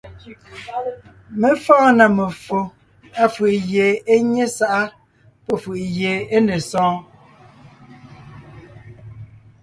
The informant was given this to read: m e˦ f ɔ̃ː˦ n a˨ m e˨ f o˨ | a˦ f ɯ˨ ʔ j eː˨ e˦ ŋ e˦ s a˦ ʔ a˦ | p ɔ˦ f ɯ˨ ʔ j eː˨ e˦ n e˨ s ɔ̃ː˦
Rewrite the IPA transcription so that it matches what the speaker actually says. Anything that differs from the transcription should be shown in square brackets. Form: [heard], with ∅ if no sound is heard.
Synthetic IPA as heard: m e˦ f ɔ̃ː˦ n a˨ m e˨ f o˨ | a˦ f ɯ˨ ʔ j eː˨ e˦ [ɲ] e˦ s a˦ ʔ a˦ | p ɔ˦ f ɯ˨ ʔ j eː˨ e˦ n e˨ s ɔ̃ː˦